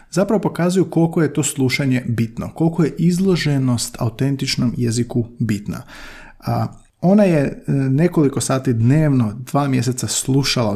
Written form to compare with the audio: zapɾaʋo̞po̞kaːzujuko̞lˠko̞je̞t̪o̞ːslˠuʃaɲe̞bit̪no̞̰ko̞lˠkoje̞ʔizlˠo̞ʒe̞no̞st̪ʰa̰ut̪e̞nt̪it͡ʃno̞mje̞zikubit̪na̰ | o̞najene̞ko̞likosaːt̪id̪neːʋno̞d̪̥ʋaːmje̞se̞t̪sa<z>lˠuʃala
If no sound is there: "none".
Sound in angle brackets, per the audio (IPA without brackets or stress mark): s